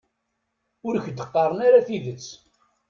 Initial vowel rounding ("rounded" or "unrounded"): rounded